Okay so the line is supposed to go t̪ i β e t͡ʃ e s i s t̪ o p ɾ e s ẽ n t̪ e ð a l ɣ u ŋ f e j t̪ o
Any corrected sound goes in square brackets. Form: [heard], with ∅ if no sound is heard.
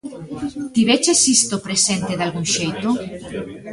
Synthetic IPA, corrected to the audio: t̪ i β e t͡ʃ e s i s t̪ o p ɾ e s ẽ n t̪ e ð a l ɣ u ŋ [ʃ] e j t̪ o